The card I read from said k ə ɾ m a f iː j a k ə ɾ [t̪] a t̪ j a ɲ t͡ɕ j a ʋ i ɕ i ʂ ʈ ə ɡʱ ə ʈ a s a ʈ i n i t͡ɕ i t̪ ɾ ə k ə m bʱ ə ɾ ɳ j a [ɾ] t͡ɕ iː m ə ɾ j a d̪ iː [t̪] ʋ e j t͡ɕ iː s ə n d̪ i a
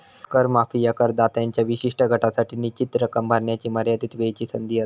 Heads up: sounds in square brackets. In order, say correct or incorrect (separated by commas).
incorrect, incorrect, correct